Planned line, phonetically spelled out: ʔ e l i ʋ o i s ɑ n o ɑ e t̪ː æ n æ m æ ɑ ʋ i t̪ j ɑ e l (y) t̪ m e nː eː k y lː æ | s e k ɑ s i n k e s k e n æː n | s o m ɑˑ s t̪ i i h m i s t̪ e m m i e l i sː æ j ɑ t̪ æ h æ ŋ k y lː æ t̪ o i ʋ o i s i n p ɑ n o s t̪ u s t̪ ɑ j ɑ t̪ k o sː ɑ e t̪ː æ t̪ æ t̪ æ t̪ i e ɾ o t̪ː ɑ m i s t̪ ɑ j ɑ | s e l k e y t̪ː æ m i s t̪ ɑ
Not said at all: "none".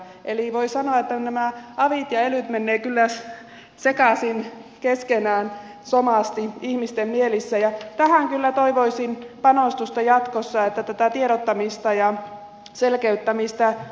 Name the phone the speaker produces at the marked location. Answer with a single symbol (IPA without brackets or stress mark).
y